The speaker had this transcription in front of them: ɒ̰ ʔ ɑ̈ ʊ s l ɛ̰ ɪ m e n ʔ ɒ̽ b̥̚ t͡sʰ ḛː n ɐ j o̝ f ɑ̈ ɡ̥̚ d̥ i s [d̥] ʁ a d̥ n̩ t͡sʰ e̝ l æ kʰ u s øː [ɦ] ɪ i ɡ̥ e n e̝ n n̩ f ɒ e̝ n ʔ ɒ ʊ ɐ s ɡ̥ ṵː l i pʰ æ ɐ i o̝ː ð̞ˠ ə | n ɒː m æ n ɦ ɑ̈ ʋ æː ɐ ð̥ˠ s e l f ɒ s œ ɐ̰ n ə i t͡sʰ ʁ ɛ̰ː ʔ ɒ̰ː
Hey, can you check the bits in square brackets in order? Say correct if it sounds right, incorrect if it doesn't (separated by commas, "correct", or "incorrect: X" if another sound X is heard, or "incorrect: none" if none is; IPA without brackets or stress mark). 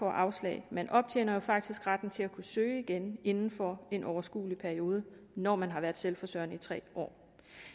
incorrect: ɡ̥, incorrect: none